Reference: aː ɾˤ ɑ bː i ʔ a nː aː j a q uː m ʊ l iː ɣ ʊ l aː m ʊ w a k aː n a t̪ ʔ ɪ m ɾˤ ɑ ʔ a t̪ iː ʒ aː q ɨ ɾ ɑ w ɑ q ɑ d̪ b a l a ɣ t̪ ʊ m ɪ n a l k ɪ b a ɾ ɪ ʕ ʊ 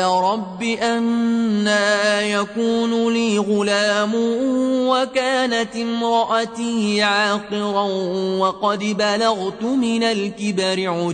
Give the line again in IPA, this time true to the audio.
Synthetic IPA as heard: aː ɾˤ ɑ bː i ʔ a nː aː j a k uː n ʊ l iː ɣ ʊ l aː m ʊ w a k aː n a t̪ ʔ ɪ m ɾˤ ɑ ʔ a t̪ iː ʕ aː q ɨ ɾ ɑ w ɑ q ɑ d̪ b a l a ɣ t̪ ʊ m ɪ n a l k ɪ b a ɾ ɪ ʕ ʊ